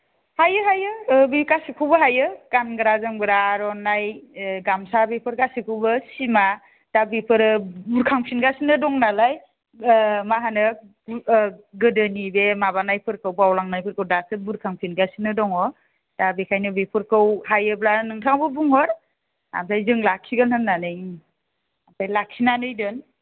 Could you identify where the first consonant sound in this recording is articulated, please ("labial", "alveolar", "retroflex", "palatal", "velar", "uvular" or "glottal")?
glottal